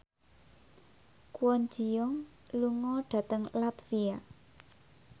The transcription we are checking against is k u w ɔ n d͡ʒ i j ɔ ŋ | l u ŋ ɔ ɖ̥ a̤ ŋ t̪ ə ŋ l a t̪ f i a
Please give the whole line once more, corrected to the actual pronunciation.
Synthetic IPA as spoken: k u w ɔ n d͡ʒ i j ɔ ŋ | l u ŋ ɔ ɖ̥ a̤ t̪ ə ŋ l a t̪ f i a